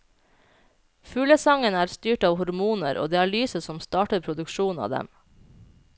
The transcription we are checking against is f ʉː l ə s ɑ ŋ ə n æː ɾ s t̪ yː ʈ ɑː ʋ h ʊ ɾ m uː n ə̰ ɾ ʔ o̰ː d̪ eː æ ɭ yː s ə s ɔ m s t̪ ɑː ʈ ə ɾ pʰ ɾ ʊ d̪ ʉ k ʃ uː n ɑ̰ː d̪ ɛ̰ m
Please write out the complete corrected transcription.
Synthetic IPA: f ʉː l ə s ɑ ŋ ə n æː ɾ s t̪ yː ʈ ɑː ʋ h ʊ ɾ m uː n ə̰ ɾ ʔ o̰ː d̪ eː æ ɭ yː s ə s ɔ m s t̪ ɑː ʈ ə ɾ pʰ ɾ ʊ d̪ ʉ k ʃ uː n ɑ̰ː d̪ ɛ̰ m